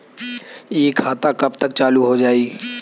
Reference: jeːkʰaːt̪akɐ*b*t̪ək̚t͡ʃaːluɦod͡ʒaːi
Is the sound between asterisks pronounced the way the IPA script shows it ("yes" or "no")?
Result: yes